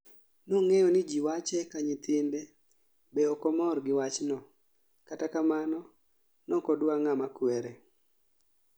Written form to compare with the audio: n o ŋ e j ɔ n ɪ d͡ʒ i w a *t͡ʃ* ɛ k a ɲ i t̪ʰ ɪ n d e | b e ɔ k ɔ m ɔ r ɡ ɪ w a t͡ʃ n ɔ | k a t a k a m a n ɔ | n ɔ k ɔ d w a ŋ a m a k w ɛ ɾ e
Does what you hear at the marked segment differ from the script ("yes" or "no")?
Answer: no